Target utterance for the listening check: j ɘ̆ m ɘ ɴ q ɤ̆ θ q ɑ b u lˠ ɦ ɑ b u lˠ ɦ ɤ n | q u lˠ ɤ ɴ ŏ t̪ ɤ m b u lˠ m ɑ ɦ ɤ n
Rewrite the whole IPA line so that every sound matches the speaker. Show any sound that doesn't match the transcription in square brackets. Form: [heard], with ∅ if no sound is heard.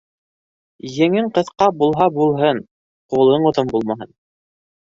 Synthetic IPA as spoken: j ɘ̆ [ŋ] ɘ ɴ q ɤ̆ θ q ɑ b u lˠ ɦ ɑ b u lˠ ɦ ɤ n | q u lˠ ɤ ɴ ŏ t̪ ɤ m b u lˠ m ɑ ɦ ɤ n

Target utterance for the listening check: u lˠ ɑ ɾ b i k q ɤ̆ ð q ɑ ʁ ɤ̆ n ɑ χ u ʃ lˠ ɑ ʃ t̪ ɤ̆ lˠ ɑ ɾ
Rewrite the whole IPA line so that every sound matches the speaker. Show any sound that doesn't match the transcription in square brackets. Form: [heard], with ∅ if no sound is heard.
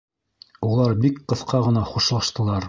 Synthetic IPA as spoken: u lˠ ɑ ɾ b i k q ɤ̆ [θ] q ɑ ʁ ɤ̆ n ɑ χ u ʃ lˠ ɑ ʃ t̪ ɤ̆ lˠ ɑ ɾ

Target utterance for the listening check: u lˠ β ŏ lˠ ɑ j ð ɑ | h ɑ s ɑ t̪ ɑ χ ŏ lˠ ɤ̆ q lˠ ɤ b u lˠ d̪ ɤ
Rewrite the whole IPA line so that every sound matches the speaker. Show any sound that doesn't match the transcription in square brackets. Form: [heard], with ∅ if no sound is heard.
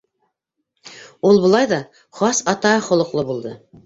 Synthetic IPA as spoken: u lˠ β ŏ lˠ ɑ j ð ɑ | [χ] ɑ s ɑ t̪ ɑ χ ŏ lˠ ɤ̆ q lˠ ɤ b u lˠ d̪ ɤ

